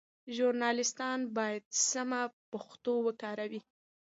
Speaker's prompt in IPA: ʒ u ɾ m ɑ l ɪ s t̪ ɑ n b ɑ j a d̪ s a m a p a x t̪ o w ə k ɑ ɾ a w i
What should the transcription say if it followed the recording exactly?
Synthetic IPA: ʒ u ɾ n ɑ l ɪ s t̪ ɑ n b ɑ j a d̪ s a m a p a x t̪ o w ə k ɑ ɾ a w i